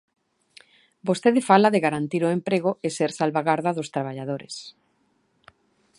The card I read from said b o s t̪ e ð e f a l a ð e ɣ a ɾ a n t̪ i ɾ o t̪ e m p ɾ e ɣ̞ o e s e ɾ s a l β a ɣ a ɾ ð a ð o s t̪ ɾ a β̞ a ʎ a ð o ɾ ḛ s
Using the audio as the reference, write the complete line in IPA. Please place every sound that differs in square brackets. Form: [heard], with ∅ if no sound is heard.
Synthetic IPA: b o s t̪ e ð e f a l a ð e ɣ a ɾ a n t̪ i ɾ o [∅] e m p ɾ e ɣ̞ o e s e ɾ s a l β a ɣ a ɾ ð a ð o s t̪ ɾ a β̞ a ʎ a ð o ɾ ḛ s